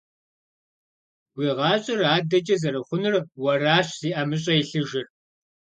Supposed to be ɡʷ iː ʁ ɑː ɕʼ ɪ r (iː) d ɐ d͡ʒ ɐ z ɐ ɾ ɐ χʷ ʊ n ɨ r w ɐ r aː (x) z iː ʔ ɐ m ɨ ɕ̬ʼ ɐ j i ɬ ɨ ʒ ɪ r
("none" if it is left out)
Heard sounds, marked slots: aː, ɕ

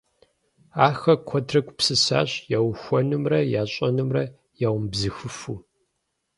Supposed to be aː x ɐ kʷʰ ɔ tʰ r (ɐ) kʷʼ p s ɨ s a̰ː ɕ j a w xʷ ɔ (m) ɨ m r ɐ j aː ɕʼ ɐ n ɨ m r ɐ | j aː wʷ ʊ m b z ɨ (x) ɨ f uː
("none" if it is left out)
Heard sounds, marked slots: ɐ, n, x

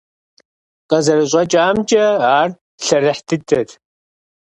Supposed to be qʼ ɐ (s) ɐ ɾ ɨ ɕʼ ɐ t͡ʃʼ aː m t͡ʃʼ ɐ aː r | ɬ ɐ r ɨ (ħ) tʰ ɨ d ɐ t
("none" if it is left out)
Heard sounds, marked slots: z, ħ

